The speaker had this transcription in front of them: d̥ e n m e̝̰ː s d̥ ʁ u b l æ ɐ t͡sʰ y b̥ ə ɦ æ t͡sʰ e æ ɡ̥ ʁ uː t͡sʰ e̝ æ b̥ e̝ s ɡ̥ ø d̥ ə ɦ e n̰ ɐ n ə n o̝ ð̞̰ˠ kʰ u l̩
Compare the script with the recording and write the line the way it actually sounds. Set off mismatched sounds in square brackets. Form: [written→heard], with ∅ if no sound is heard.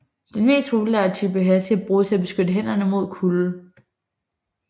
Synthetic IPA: d̥ e n m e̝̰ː s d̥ ʁ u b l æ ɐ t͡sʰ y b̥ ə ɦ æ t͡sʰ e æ [ɡ̥→b̥] ʁ uː t͡sʰ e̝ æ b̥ e̝ s ɡ̥ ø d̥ ə ɦ e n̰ ɐ n ə [n→m] o̝ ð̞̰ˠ kʰ u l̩